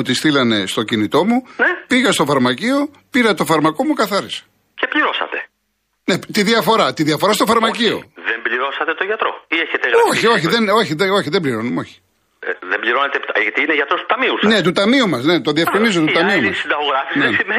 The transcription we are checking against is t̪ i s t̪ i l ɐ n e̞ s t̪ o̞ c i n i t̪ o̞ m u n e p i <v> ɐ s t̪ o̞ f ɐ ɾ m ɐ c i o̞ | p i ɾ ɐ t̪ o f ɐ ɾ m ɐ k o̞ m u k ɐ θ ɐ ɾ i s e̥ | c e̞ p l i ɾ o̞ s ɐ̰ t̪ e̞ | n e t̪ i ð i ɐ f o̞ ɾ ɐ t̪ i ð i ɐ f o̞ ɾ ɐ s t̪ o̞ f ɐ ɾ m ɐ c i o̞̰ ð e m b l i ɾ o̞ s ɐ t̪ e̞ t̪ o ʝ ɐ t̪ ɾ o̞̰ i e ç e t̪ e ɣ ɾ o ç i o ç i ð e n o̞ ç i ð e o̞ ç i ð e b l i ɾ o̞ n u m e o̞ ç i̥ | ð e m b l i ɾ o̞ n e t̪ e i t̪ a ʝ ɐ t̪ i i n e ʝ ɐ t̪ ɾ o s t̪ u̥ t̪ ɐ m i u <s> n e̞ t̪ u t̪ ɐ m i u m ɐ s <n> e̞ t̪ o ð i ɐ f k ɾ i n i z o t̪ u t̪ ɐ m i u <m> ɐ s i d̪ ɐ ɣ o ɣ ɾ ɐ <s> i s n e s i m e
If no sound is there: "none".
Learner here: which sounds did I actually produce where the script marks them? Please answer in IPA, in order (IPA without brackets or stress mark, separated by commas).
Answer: ɣ, s, n, m, f